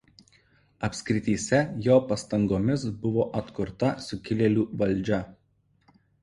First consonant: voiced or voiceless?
voiceless